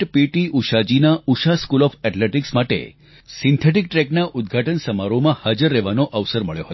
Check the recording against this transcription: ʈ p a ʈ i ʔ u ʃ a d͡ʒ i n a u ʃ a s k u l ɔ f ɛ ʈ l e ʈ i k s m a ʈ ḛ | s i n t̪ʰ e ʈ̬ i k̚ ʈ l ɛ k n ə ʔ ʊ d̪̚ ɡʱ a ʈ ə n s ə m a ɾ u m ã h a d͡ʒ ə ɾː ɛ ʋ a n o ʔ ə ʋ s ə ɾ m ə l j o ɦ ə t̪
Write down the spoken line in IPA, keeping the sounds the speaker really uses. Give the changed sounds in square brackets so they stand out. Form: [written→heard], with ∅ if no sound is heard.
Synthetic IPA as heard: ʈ p [a→i] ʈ i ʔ u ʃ a d͡ʒ i n a u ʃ a s k u l ɔ f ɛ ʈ l e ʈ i k s m a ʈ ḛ | s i n t̪ʰ e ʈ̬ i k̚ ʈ [l→ɾ] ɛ k n [ə→a] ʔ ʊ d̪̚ ɡʱ a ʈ ə n s ə m a ɾ [u→o] m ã h a d͡ʒ ə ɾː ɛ ʋ a n o ʔ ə ʋ s ə ɾ m ə [l→ɭ] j o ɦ ə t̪